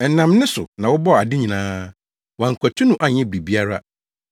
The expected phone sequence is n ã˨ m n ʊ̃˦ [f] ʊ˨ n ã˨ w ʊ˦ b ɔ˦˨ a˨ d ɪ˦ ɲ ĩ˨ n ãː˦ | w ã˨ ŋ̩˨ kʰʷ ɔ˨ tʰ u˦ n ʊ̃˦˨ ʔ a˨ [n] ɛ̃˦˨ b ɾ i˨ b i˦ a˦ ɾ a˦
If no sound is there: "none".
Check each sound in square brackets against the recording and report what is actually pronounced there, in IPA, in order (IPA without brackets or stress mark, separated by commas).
s, ɲ